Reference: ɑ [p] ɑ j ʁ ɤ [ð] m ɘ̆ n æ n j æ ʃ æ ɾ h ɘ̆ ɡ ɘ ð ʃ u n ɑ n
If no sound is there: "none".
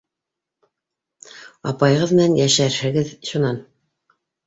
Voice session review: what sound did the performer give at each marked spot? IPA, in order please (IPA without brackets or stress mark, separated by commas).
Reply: p, ð